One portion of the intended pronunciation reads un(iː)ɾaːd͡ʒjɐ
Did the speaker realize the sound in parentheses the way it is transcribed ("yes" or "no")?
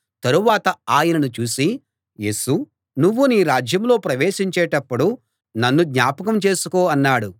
yes